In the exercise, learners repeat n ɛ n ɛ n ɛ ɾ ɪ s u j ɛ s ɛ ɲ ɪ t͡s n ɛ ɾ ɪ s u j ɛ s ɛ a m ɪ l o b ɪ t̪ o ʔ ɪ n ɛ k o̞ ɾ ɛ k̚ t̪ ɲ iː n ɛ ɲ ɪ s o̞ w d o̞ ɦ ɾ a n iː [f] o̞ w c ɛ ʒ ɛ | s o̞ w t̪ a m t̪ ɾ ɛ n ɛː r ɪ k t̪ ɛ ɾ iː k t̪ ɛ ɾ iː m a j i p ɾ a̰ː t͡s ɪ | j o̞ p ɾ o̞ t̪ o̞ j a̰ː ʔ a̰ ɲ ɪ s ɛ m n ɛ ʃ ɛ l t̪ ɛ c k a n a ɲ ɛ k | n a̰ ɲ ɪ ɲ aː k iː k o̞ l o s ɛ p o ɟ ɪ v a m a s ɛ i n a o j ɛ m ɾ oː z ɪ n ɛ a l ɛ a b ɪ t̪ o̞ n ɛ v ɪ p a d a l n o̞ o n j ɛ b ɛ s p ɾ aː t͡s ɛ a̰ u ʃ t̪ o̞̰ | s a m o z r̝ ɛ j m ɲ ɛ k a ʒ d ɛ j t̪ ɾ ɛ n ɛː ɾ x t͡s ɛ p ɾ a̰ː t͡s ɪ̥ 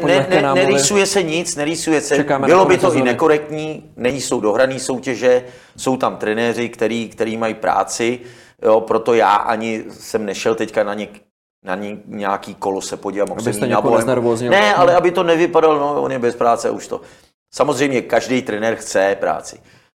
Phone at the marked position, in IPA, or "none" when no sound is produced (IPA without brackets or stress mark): s